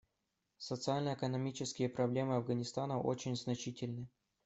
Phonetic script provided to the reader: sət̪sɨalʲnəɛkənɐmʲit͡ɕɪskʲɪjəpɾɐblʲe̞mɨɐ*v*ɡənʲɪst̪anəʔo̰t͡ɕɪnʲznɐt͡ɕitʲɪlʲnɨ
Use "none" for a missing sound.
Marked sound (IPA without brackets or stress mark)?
v